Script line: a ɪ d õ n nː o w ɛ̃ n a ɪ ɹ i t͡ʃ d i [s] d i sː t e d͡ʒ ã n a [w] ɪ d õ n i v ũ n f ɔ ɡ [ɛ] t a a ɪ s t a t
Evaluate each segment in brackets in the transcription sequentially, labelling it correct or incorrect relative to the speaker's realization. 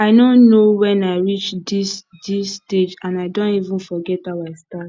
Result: correct, incorrect: none, correct

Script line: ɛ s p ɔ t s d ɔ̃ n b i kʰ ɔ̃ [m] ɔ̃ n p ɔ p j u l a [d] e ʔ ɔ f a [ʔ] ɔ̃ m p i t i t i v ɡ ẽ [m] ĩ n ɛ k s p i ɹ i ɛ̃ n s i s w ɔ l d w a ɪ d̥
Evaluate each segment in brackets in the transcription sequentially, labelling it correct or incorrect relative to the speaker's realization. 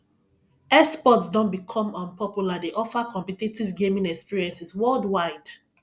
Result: correct, correct, incorrect: k, correct

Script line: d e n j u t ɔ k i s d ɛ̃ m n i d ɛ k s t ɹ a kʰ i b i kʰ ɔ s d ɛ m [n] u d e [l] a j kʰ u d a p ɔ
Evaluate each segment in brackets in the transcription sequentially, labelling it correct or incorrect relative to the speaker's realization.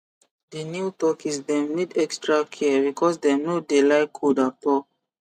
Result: correct, correct

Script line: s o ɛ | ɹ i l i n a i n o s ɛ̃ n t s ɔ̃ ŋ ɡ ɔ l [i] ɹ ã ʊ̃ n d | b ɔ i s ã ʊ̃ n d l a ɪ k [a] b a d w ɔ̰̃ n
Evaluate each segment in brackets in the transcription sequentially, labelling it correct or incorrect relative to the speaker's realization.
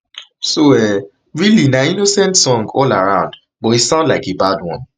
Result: incorrect: a, incorrect: e

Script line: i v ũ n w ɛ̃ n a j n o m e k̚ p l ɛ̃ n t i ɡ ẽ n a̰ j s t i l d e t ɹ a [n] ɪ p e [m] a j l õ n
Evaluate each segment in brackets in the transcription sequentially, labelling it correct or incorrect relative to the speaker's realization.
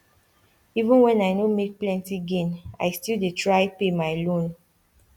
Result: incorrect: none, correct

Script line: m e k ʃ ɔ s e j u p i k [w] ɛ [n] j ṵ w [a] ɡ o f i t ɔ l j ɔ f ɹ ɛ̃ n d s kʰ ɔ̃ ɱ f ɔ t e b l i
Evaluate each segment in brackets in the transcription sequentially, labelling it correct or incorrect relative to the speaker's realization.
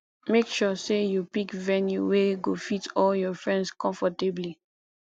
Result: incorrect: v, correct, incorrect: e

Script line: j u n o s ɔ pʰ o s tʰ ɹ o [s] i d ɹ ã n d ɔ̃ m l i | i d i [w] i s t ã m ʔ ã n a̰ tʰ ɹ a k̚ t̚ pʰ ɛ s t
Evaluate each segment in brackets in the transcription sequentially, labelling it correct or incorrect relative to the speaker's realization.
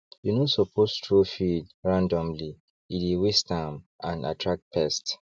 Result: incorrect: f, correct

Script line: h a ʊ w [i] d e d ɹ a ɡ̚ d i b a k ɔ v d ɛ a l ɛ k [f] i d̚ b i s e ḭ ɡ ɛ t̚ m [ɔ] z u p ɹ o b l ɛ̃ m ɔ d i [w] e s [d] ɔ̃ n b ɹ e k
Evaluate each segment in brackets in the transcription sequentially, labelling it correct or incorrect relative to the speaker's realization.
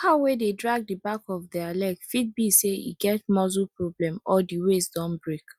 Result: incorrect: e, correct, correct, correct, correct

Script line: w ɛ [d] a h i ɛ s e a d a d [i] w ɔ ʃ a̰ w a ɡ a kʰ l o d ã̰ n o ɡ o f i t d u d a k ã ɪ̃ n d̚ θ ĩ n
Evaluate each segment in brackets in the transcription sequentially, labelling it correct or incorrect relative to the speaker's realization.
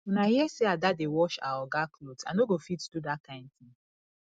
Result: incorrect: n, incorrect: e

